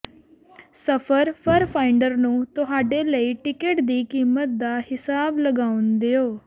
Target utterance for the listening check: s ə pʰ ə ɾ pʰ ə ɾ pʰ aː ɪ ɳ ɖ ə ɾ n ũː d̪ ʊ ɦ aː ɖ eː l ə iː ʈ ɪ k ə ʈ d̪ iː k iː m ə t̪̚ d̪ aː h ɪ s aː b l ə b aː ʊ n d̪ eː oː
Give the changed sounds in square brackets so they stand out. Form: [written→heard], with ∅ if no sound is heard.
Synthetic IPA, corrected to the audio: s ə pʰ ə ɾ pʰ ə ɾ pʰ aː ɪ ɳ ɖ ə ɾ n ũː [d̪→t̪] ʊ ɦ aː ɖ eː l ə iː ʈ ɪ k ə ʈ d̪ iː k iː m ə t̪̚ d̪ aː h ɪ s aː b l ə [b→ɡ] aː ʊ n d̪ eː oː